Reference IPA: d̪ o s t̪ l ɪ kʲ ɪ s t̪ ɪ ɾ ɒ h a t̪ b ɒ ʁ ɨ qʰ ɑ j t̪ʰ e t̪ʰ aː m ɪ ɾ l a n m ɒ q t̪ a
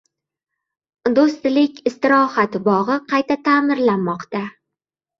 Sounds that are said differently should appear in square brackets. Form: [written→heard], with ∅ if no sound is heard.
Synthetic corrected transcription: d̪ o s t̪ l ɪ kʲ ɪ s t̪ ɪ ɾ ɒ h a t̪ b ɒ ʁ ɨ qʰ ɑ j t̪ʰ [e→a] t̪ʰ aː m ɪ ɾ l a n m ɒ q t̪ a